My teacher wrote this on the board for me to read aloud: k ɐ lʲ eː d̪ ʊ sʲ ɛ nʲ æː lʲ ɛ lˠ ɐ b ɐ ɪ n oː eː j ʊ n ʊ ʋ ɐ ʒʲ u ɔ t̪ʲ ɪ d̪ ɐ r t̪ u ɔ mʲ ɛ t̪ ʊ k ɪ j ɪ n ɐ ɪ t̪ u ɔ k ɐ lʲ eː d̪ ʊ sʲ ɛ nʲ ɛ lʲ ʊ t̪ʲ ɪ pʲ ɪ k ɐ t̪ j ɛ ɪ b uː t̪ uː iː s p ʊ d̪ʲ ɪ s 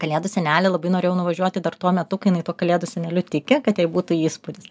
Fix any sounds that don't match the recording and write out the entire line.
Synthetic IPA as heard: k ɐ lʲ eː d̪ ʊ sʲ ɛ nʲ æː lʲ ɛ lˠ ɐ b ɐ ɪ n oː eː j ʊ n ʊ ʋ ɐ ʒʲ u ɔ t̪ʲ ɪ d̪ ɐ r t̪ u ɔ mʲ ɛ t̪ ʊ k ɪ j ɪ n ɐ ɪ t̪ u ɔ k ɐ lʲ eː d̪ ʊ sʲ ɛ nʲ ɛ lʲ ʊ t̪ʲ ɪ kʲ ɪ k ɐ t̪ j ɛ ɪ b uː t̪ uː iː s p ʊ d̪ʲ ɪ s